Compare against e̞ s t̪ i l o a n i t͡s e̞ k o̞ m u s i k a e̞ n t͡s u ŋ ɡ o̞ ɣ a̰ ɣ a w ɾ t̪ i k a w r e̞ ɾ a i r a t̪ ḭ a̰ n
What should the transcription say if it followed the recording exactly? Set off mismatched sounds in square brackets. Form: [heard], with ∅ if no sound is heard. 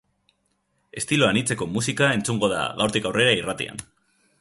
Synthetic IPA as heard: e̞ s t̪ i l o a n i t͡s e̞ k o̞ m u s i k a e̞ n t͡s u ŋ ɡ o̞ [ð] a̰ ɣ a w ɾ t̪ i k a w r e̞ ɾ a i r a t̪ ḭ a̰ n